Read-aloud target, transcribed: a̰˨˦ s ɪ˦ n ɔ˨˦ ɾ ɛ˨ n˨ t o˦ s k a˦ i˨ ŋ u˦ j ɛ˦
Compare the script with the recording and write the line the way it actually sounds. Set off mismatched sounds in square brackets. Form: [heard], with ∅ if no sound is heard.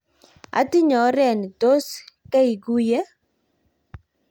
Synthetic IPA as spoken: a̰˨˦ [t] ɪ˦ [ɲ] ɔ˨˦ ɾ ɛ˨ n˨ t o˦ s k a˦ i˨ [ɡ] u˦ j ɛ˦

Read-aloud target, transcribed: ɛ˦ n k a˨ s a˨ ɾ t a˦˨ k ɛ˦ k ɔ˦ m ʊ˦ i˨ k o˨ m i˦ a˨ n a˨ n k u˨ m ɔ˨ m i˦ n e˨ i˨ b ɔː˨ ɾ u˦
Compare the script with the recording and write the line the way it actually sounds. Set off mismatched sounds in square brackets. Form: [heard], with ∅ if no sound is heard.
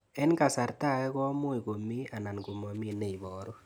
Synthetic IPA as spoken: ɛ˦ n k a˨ s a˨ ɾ t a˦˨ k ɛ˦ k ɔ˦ m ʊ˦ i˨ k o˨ m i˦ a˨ n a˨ n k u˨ m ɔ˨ m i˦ n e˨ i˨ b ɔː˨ ɾ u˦

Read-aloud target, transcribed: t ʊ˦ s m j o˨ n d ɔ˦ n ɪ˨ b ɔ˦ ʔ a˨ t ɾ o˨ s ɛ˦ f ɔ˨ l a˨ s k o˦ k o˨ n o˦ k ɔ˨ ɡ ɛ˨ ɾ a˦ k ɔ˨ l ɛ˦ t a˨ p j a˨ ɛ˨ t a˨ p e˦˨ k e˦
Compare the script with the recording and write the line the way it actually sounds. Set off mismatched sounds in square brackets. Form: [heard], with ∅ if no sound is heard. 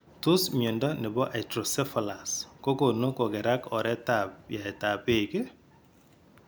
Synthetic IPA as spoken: t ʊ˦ s m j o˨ n d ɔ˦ n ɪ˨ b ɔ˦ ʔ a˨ t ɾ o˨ s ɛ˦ f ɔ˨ l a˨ s k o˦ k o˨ n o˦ k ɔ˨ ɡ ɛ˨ ɾ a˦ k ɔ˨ [ɾ] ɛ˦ t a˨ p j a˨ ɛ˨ t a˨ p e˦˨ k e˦

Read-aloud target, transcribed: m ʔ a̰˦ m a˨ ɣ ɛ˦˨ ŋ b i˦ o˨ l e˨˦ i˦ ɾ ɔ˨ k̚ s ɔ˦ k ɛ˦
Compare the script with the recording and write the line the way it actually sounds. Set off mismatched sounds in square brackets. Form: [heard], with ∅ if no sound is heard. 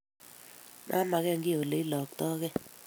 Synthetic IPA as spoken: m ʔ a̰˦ m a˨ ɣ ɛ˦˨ ŋ [ɡ] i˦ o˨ l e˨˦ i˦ [l] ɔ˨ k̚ [t] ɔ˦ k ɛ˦

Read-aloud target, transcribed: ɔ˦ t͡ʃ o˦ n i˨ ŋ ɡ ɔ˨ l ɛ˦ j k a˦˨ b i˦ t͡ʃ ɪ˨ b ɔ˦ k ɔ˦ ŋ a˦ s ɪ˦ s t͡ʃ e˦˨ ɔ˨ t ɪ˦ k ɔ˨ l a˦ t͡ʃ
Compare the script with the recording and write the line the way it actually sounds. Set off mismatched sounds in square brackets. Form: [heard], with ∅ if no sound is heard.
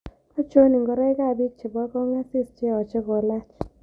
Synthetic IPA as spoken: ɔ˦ t͡ʃ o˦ n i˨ ŋ ɡ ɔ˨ [ɾ] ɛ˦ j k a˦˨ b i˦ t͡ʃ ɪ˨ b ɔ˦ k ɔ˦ ŋ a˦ s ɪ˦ s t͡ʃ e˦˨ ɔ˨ [t͡ʃ] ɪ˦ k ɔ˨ l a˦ t͡ʃ

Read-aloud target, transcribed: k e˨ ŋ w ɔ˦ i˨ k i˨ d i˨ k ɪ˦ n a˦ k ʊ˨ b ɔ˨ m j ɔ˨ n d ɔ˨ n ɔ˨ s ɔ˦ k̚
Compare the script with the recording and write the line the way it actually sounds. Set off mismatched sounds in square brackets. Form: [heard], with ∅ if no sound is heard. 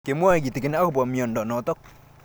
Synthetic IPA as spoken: k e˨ [m] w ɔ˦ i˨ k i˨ [t] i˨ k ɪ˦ n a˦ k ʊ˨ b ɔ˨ m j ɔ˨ n d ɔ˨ n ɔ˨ [t] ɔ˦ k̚

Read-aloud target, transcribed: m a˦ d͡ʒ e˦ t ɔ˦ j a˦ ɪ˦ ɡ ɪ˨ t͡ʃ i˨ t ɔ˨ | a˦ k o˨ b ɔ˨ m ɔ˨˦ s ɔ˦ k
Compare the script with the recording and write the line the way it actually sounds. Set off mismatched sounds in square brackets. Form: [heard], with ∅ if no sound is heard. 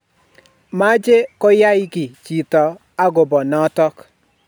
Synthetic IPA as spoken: m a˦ d͡ʒ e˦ [k] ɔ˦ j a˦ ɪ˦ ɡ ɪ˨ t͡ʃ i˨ t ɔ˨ | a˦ [ɡ] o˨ b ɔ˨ [n] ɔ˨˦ [t] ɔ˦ k

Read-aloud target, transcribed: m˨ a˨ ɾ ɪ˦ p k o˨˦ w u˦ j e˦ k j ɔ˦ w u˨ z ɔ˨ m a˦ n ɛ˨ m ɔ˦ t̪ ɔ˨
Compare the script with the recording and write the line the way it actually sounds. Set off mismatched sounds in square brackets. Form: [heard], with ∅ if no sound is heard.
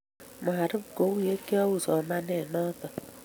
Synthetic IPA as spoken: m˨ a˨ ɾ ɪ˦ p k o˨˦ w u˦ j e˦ k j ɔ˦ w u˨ [s] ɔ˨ m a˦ n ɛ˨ [n] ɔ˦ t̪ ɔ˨

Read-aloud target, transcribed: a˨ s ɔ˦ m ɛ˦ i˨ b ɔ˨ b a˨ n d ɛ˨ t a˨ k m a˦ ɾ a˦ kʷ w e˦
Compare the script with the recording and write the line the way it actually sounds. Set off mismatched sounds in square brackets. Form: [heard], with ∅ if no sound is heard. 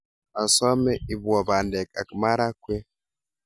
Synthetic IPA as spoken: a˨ s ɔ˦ m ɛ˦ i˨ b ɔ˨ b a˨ n d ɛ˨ [k] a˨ k m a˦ ɾ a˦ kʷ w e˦

